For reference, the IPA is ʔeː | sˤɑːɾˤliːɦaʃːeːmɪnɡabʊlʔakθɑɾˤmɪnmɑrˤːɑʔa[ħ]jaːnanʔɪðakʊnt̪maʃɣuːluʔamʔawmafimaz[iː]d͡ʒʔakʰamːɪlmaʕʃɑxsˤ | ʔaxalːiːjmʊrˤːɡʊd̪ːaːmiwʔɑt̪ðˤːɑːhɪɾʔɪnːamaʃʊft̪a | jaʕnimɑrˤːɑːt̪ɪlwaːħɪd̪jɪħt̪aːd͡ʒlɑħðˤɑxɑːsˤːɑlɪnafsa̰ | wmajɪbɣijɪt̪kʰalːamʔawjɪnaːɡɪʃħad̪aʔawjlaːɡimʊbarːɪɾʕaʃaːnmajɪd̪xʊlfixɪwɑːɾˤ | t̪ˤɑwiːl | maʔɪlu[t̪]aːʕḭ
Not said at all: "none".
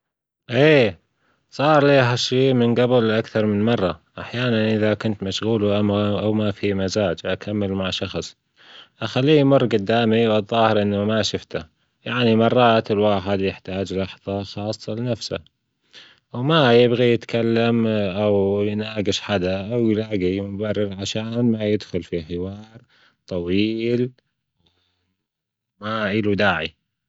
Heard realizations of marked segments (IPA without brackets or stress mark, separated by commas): ħ, aː, d̪